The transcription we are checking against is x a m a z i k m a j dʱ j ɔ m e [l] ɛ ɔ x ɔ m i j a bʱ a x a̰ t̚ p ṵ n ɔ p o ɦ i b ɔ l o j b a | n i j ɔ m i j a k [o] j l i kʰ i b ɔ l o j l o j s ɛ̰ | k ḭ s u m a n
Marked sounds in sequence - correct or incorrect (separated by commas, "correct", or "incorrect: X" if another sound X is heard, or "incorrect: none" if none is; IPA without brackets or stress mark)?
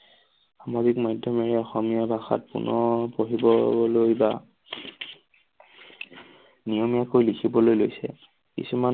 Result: incorrect: ɹ, correct